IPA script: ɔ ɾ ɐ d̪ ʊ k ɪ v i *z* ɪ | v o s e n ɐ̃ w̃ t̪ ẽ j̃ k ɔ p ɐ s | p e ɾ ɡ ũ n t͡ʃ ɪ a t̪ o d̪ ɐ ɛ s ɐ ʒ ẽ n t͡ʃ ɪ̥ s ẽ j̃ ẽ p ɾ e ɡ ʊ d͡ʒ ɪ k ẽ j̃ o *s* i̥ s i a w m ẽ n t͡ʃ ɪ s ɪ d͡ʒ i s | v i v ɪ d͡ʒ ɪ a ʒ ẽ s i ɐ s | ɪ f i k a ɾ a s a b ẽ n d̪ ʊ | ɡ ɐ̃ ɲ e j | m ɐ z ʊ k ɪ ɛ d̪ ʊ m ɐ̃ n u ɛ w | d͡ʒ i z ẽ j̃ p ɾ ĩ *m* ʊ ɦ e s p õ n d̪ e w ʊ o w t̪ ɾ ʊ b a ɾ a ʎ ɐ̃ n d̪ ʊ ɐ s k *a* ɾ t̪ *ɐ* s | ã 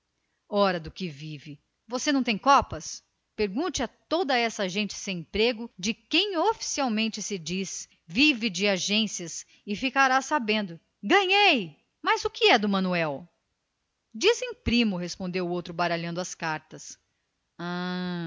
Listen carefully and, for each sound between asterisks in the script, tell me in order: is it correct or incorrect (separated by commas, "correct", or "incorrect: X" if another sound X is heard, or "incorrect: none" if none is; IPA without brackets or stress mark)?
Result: incorrect: v, incorrect: f, correct, correct, correct